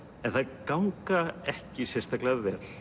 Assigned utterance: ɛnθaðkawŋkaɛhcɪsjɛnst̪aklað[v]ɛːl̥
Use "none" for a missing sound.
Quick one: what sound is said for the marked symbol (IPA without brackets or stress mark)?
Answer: v